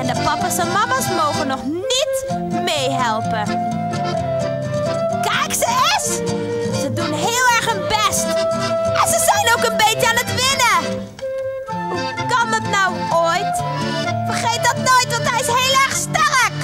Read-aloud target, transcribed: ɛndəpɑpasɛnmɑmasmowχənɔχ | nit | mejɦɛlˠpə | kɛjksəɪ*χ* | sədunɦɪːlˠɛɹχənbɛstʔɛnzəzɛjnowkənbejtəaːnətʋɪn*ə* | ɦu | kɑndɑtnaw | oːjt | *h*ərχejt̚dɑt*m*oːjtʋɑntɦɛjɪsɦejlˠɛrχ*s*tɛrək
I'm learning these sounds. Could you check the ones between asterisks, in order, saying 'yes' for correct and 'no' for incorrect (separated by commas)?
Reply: no, yes, no, no, yes